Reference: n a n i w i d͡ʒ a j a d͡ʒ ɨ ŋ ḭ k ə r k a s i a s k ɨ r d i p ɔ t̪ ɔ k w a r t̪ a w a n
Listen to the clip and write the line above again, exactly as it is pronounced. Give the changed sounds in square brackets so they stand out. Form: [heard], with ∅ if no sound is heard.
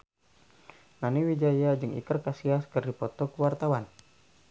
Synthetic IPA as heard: n a n i w i d͡ʒ a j a d͡ʒ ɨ ŋ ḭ k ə r k a s i a s k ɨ r d i p ɔ t̪ ɔ k w a r t̪ a w a n